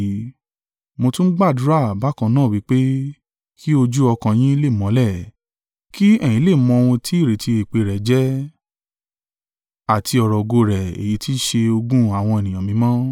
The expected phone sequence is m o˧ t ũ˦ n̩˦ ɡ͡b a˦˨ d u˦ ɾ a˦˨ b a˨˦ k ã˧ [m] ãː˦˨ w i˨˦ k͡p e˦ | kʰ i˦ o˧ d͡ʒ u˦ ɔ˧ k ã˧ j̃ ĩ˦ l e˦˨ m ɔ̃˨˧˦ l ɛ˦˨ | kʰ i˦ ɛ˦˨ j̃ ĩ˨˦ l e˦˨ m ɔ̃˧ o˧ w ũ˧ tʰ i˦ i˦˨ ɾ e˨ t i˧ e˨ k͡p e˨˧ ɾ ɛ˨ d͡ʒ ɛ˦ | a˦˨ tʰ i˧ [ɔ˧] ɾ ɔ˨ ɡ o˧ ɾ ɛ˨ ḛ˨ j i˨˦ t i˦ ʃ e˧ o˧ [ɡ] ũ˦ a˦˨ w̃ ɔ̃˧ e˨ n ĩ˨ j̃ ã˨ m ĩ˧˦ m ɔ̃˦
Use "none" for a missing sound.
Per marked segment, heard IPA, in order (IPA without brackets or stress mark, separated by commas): n, ɔ˧, ɡ